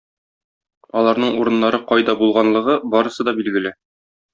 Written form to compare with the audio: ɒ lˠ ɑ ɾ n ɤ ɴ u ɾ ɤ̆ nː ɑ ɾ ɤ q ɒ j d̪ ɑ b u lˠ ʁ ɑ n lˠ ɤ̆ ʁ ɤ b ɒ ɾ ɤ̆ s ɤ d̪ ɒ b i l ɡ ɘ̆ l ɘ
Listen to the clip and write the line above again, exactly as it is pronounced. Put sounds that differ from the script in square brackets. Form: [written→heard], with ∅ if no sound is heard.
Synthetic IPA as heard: ɒ lˠ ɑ ɾ n ɤ ɴ u ɾ ɤ̆ nː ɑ ɾ ɤ q ɒ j d̪ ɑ b u lˠ ʁ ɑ n lˠ ɤ̆ ʁ ɤ b ɒ ɾ ɤ̆ s ɤ d̪ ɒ b i l ɡ ɘ̆ l ɘ